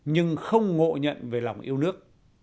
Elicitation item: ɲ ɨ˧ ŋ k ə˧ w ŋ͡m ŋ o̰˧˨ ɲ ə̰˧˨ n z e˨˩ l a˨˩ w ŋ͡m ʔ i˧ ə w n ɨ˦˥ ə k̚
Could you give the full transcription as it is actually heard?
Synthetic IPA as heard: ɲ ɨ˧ ŋ x ə˧ w ŋ͡m ŋ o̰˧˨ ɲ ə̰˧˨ n v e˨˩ l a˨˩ w ŋ͡m ʔ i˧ ə w n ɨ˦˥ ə k̚